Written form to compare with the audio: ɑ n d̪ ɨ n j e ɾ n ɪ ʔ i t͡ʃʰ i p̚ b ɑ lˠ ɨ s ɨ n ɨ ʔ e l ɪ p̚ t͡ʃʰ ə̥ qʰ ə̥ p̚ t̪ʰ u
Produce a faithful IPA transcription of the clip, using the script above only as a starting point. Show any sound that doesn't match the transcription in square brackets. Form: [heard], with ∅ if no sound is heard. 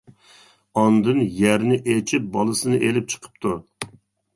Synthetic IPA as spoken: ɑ n d̪ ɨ n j [æ] ɾ n ɪ ʔ [e] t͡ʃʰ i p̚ b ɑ lˠ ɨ s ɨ n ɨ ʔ e l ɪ p̚ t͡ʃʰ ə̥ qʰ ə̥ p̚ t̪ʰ u